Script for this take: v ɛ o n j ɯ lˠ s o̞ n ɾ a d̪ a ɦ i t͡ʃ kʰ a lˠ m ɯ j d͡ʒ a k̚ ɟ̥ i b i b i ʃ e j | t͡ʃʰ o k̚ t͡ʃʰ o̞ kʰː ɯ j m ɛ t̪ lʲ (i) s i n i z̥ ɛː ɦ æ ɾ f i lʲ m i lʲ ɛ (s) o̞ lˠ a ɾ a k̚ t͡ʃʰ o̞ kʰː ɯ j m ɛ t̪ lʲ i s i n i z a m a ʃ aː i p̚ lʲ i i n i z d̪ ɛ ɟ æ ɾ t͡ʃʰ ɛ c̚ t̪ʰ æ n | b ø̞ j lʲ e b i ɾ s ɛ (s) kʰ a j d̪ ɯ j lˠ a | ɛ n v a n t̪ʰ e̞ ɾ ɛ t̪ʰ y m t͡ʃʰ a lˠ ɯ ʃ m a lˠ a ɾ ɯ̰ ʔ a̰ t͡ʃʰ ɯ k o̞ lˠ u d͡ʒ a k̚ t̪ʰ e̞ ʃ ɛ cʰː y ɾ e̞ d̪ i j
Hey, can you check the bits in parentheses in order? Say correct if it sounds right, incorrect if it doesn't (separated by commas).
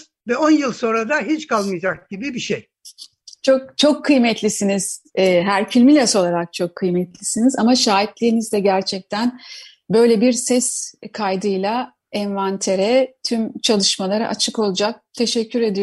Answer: correct, correct, correct